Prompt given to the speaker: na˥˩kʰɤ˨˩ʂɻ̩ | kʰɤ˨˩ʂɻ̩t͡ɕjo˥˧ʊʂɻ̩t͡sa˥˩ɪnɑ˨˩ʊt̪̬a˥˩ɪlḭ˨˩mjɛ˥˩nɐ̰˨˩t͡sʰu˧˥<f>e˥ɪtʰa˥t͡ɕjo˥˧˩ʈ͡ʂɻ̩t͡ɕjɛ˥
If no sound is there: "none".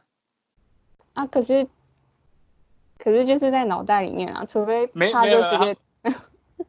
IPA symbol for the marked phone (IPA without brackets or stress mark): f